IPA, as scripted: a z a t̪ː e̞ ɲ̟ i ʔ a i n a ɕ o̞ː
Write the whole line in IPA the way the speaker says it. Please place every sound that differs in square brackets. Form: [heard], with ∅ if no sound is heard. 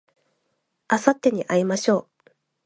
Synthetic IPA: a [s] a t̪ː e̞ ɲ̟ i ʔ a i [m] a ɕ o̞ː